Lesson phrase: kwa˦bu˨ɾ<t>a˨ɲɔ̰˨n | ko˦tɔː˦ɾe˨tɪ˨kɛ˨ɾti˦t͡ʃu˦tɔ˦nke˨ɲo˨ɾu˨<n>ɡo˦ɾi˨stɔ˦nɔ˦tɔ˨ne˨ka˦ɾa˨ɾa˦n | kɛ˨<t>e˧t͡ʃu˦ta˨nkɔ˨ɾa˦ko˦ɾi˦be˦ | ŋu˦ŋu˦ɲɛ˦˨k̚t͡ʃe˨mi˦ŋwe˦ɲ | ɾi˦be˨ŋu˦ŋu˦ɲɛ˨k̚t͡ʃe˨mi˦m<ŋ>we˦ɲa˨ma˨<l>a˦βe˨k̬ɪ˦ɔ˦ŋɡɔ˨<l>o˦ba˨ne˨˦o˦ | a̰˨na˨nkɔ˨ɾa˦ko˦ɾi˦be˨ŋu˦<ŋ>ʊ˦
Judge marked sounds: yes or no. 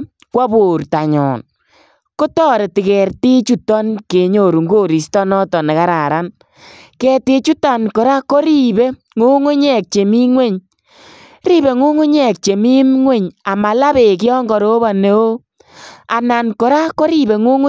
yes, no, yes, yes, yes, no, yes

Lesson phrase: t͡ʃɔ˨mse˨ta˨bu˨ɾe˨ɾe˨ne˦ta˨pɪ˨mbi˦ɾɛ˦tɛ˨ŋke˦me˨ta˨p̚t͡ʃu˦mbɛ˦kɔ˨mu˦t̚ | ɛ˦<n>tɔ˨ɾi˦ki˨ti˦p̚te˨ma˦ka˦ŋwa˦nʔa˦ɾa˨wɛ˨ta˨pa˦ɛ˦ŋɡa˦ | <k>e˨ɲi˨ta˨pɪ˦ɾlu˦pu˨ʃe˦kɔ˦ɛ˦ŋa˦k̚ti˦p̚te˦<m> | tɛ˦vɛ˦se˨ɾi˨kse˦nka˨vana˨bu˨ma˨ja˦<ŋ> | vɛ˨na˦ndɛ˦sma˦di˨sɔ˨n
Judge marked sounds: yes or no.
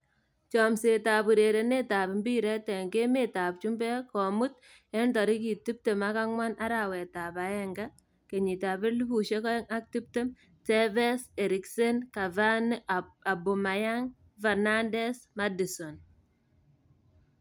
yes, yes, yes, yes

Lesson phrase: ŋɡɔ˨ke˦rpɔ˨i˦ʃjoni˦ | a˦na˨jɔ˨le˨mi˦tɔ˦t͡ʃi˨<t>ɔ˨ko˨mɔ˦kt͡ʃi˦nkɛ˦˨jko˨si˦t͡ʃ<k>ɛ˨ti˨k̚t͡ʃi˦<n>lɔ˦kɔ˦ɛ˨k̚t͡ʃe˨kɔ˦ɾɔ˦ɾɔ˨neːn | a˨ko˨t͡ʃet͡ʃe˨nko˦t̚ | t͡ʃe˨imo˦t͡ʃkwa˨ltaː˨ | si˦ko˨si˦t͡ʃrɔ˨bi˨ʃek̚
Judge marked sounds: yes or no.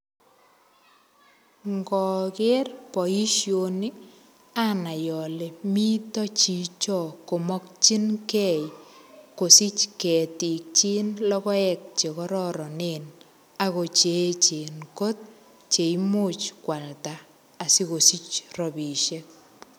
no, yes, yes

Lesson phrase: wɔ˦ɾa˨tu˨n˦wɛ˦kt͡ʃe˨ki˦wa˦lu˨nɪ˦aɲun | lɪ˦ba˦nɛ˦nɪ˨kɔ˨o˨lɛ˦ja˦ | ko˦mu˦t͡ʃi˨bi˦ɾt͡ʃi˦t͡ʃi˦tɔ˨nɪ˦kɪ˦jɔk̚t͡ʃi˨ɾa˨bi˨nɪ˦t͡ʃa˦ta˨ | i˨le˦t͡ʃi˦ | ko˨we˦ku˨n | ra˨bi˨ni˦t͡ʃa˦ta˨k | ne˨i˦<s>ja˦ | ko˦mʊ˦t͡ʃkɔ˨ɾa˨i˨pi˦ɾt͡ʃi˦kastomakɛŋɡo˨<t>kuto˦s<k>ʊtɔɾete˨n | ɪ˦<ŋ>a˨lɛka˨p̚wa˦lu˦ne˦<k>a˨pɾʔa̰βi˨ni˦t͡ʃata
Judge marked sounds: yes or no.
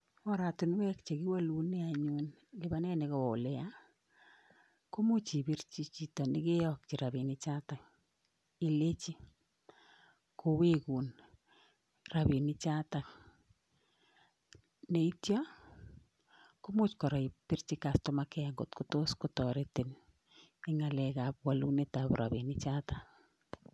no, yes, yes, yes, no

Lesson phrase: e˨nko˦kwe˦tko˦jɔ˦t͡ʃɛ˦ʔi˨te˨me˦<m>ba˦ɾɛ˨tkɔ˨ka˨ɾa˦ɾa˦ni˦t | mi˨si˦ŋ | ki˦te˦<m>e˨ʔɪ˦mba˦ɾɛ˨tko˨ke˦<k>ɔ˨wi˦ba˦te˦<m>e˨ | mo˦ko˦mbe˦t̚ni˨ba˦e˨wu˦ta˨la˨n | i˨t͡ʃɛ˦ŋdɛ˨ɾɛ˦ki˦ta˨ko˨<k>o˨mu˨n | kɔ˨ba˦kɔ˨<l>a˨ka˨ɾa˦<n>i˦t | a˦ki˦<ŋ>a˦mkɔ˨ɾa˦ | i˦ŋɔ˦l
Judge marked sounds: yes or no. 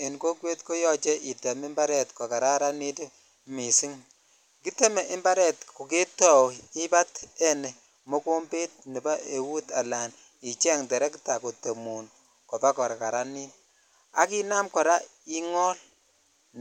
yes, yes, no, no, no, no, yes, no

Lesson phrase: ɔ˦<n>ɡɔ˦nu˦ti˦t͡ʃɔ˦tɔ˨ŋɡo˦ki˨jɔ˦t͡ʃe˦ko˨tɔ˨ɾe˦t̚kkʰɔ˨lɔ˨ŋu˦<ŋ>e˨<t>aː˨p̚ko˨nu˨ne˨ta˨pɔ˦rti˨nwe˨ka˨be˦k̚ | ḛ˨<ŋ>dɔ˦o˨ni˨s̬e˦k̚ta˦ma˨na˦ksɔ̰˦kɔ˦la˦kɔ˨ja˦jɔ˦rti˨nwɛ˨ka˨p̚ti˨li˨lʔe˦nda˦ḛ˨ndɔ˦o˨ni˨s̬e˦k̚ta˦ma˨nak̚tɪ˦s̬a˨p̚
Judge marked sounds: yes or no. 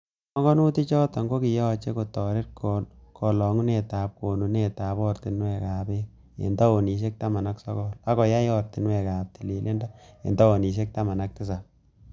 no, no, yes, no

